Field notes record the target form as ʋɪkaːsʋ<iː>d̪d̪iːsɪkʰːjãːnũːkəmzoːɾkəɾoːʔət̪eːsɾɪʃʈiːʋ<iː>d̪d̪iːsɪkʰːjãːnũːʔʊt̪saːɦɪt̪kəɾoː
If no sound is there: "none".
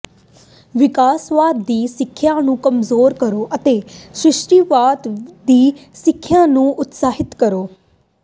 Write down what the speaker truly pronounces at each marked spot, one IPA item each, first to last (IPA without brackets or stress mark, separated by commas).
aː, aː